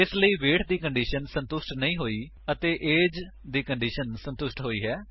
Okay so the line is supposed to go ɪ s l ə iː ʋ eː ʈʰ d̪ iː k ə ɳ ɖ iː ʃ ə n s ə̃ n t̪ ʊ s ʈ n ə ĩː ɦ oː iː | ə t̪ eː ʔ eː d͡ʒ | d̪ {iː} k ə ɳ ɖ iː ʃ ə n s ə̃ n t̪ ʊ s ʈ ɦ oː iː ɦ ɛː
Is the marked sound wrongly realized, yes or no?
no